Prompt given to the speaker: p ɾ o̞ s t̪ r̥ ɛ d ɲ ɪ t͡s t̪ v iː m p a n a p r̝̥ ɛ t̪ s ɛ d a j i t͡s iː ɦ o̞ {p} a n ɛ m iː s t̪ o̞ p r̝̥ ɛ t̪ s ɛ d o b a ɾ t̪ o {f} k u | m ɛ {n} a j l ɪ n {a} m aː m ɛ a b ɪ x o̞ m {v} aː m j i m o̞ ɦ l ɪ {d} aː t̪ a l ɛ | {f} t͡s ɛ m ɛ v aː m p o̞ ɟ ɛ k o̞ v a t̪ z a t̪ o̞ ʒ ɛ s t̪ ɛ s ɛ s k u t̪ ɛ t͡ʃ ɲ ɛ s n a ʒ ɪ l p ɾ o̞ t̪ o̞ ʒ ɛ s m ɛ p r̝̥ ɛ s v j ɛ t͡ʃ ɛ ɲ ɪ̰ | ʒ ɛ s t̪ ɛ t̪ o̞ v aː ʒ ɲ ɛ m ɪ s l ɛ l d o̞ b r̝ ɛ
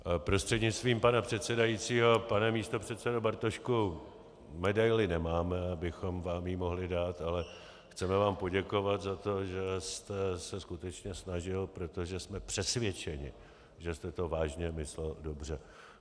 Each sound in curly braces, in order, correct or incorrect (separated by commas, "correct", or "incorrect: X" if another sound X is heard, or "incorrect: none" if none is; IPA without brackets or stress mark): correct, incorrect: ʃ, incorrect: d, incorrect: ɛ, correct, correct, incorrect: x